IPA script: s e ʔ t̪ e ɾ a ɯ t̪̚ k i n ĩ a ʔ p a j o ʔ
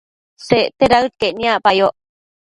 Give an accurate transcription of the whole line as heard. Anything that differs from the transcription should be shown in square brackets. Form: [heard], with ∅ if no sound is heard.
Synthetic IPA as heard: s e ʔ t̪ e ɾ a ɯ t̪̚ k [e] n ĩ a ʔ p a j o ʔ